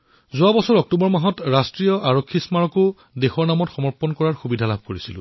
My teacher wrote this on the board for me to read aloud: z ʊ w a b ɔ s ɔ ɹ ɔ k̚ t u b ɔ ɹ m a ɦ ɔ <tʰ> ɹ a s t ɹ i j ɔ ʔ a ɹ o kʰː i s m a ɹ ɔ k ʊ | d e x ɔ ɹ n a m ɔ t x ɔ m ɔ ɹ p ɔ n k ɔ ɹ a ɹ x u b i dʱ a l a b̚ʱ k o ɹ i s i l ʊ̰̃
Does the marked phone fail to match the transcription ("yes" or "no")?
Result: yes